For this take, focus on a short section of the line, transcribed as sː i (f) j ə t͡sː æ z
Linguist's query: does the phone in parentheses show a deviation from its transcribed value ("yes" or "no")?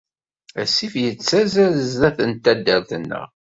no